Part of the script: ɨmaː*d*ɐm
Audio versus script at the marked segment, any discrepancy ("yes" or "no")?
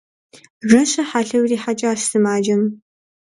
yes